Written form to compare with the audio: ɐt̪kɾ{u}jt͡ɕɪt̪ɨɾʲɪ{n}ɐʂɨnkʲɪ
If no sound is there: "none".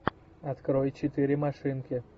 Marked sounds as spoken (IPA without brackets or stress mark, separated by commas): o, m